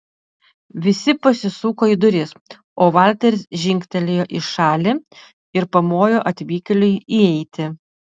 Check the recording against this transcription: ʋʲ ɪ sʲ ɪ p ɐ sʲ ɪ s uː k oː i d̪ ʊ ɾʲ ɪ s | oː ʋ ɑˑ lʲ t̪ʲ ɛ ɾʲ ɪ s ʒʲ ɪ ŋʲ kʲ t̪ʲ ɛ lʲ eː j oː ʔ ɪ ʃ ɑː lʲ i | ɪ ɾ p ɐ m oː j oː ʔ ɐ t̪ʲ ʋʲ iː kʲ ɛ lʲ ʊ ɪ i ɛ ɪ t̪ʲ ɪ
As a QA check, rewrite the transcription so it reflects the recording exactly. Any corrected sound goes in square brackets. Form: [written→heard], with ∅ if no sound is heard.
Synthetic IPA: ʋʲ ɪ sʲ ɪ p ɐ sʲ ɪ s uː k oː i d̪ ʊ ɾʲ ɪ s | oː ʋ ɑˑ lʲ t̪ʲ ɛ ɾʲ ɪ s ʒʲ ɪ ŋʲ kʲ t̪ʲ ɛ lʲ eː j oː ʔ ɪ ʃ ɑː lʲ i | ɪ ɾ p ɐ m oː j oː ʔ ɐ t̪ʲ ʋʲ iː kʲ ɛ lʲ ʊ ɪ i ɛ ɪ t̪ʲ ɪ

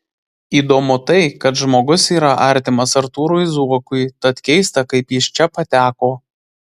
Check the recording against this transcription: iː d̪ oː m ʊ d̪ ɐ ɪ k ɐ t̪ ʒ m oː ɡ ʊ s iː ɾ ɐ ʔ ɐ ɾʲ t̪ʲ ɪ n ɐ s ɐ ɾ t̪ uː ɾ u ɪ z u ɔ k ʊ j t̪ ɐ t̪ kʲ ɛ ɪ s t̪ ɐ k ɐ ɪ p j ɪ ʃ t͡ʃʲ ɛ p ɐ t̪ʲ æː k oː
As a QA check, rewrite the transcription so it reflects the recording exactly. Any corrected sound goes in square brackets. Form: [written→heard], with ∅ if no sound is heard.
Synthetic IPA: iː d̪ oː m ʊ [d̪→t̪] ɐ ɪ k ɐ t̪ ʒ m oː ɡ ʊ s iː ɾ ɐ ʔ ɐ ɾʲ t̪ʲ ɪ [n→m] ɐ s ɐ ɾ t̪ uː ɾ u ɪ z u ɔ k ʊ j t̪ ɐ t̪ kʲ ɛ ɪ s t̪ ɐ k ɐ ɪ p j ɪ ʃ t͡ʃʲ ɛ p ɐ t̪ʲ æː k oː

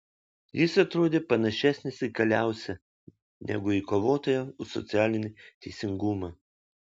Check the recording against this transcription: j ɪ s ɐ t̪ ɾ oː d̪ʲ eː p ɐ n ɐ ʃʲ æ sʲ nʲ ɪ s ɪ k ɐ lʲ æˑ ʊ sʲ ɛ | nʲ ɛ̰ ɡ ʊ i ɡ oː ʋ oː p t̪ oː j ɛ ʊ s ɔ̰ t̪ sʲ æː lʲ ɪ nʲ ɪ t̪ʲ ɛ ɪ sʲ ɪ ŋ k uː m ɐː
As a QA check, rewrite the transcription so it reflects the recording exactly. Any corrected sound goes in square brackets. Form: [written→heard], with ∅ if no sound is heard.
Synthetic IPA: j ɪ s ɐ t̪ ɾ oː d̪ʲ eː p ɐ n ɐ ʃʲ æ sʲ nʲ ɪ s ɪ k ɐ lʲ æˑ ʊ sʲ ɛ | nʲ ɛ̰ ɡ ʊ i [ɡ→k] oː ʋ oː [p→∅] t̪ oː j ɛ ʊ s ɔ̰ t̪ sʲ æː lʲ ɪ nʲ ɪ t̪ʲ ɛ ɪ sʲ ɪ ŋ [k→ɡ] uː m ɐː

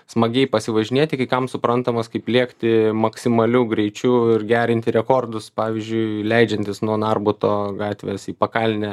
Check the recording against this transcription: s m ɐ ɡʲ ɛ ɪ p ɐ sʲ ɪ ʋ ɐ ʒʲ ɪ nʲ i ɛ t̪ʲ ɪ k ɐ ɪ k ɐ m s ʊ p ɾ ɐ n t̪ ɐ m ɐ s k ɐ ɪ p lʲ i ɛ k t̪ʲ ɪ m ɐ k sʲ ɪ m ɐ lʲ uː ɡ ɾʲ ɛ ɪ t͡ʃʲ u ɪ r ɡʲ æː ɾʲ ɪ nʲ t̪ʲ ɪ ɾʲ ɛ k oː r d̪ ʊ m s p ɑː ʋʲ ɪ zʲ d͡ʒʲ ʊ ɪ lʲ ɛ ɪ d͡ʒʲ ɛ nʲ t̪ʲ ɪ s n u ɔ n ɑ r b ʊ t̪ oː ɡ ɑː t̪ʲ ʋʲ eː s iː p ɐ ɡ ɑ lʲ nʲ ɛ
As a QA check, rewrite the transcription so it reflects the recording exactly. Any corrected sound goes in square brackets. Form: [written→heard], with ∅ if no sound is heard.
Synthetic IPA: s m ɐ ɡʲ ɛ ɪ p ɐ sʲ ɪ ʋ ɐ ʒʲ ɪ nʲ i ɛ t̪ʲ ɪ k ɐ ɪ k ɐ m s ʊ p ɾ ɐ n t̪ ɐ m ɐ s k ɐ ɪ p lʲ i ɛ k t̪ʲ ɪ m ɐ k sʲ ɪ m ɐ lʲ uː ɡ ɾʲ ɛ ɪ t͡ʃʲ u ɪ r ɡʲ æː ɾʲ ɪ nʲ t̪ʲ ɪ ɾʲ ɛ k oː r d̪ ʊ [m→∅] s p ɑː ʋʲ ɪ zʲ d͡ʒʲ ʊ ɪ lʲ ɛ ɪ d͡ʒʲ ɛ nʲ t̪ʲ ɪ s n u ɔ n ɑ r b ʊ t̪ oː ɡ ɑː t̪ʲ ʋʲ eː s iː p ɐ [ɡ→k] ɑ lʲ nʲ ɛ

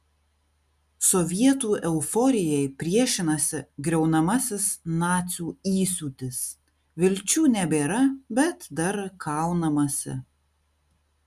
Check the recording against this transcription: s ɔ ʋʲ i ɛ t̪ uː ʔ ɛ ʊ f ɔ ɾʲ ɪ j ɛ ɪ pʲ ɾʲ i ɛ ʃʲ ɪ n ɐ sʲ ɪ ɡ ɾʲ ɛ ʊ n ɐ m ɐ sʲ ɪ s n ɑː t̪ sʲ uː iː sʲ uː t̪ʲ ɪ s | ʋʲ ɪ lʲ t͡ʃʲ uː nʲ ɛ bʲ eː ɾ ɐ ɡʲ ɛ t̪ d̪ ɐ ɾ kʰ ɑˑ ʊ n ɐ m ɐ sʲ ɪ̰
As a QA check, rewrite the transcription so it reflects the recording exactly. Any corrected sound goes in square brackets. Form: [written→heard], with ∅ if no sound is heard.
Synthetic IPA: s ɔ ʋʲ i ɛ t̪ uː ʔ ɛ ʊ f ɔ ɾʲ ɪ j ɛ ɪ pʲ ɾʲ i ɛ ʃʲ ɪ n ɐ sʲ ɪ ɡ ɾʲ ɛ ʊ n ɐ m ɐ sʲ ɪ s n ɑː t̪ sʲ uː iː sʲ uː t̪ʲ ɪ s | ʋʲ ɪ lʲ t͡ʃʲ uː nʲ ɛ bʲ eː ɾ ɐ [ɡʲ→bʲ] ɛ t̪ d̪ ɐ ɾ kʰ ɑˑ ʊ n ɐ m ɐ sʲ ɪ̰

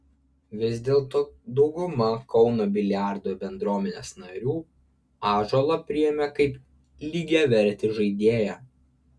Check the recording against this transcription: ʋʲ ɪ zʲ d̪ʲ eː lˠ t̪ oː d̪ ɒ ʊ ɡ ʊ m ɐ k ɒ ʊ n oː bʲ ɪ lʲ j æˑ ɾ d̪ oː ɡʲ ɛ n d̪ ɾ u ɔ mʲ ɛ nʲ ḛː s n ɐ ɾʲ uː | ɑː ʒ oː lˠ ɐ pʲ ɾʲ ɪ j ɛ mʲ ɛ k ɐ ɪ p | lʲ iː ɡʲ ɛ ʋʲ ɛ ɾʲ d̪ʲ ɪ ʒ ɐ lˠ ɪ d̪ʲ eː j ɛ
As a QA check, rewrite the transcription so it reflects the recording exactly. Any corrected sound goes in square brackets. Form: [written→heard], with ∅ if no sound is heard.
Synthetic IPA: ʋʲ ɪ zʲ d̪ʲ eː lˠ t̪ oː d̪ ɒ ʊ ɡ ʊ m ɐ k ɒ ʊ n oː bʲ ɪ lʲ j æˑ ɾ d̪ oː [ɡʲ→bʲ] ɛ n d̪ ɾ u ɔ mʲ ɛ nʲ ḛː s n ɐ ɾʲ uː | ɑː ʒ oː lˠ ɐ pʲ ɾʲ ɪ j ɛ mʲ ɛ k ɐ ɪ p | lʲ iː ɡʲ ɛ ʋʲ ɛ ɾʲ [d̪ʲ→t̪ʲ] ɪ ʒ ɐ [lˠ→∅] ɪ d̪ʲ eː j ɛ

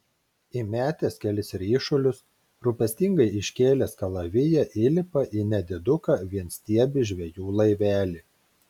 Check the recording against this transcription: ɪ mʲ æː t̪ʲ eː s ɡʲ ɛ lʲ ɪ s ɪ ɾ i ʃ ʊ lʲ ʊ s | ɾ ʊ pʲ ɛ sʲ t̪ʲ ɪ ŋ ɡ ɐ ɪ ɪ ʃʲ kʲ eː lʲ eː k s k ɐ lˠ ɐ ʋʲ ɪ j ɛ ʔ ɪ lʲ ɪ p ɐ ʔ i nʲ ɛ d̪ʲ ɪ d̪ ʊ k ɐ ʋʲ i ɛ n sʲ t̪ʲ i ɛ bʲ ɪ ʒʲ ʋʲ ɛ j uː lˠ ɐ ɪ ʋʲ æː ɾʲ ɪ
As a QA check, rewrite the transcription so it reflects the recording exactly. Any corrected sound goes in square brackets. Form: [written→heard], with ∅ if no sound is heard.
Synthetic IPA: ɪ mʲ æː t̪ʲ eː s [ɡʲ→kʲ] ɛ lʲ ɪ s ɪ ɾ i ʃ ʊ lʲ ʊ s | ɾ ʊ pʲ ɛ sʲ t̪ʲ ɪ ŋ ɡ ɐ ɪ ɪ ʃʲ kʲ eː lʲ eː [k→∅] s k ɐ lˠ ɐ ʋʲ ɪ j ɛ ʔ ɪ lʲ ɪ p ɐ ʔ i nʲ ɛ d̪ʲ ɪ d̪ ʊ k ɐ ʋʲ i ɛ n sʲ t̪ʲ i ɛ bʲ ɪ ʒʲ ʋʲ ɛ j uː lˠ ɐ ɪ ʋʲ æː [ɾʲ→lʲ] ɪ

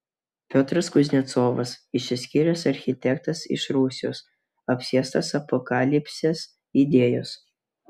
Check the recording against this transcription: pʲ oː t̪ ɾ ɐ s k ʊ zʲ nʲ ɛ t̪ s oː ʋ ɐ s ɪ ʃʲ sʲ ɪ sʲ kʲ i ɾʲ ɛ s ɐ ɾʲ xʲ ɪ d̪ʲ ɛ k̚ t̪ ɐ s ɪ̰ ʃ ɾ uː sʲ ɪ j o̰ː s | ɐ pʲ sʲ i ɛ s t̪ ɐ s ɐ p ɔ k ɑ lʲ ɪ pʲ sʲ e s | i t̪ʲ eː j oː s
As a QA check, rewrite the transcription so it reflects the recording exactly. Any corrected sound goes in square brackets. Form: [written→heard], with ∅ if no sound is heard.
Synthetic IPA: pʲ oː t̪ ɾ ɐ s k ʊ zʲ nʲ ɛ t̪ s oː ʋ ɐ s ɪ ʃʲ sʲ ɪ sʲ kʲ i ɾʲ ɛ s ɐ ɾʲ xʲ ɪ [d̪ʲ→t̪ʲ] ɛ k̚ t̪ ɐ s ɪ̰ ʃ ɾ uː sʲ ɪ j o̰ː s | ɐ pʲ sʲ i ɛ s t̪ ɐ s ɐ p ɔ k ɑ lʲ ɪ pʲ sʲ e s | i [t̪ʲ→d̪ʲ] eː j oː s

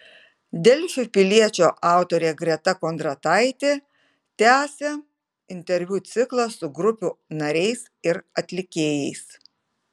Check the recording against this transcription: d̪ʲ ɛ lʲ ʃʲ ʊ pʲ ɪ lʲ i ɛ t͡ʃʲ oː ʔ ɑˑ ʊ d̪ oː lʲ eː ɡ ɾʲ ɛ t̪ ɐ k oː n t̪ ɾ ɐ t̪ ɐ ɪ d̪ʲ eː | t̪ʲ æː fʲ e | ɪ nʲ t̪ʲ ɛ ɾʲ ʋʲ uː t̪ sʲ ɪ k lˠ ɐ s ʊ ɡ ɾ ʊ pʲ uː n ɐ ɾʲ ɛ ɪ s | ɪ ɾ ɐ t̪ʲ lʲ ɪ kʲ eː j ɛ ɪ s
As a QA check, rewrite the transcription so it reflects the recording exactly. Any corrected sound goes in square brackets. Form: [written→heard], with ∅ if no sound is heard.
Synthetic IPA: d̪ʲ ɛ lʲ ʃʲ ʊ pʲ ɪ lʲ i ɛ t͡ʃʲ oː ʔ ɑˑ ʊ [d̪→t̪] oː [lʲ→ɾʲ] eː ɡ ɾʲ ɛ t̪ ɐ k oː n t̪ ɾ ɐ t̪ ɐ ɪ [d̪ʲ→t̪ʲ] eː | t̪ʲ æː [fʲ→sʲ] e | ɪ nʲ t̪ʲ ɛ ɾʲ ʋʲ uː t̪ sʲ ɪ k lˠ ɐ s ʊ ɡ ɾ ʊ pʲ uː n ɐ ɾʲ ɛ ɪ s | ɪ ɾ ɐ t̪ʲ lʲ ɪ kʲ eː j ɛ ɪ s

